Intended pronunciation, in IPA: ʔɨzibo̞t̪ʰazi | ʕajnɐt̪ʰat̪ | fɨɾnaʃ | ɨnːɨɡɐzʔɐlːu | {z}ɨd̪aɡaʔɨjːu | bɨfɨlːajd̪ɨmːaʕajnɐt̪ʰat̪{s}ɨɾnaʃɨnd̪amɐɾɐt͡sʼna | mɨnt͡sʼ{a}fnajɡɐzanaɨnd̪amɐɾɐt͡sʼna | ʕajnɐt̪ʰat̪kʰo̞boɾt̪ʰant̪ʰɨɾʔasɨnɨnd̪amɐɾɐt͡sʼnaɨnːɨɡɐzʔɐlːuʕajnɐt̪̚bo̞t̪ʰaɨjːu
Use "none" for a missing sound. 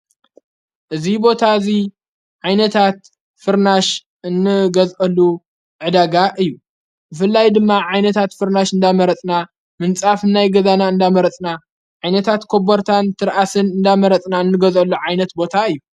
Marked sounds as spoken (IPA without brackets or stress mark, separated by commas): ʕ, f, a